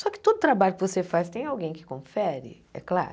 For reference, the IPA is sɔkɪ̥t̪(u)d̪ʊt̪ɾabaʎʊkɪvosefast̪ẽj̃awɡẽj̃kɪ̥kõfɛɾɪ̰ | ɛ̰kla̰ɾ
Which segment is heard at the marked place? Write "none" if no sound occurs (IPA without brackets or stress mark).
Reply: o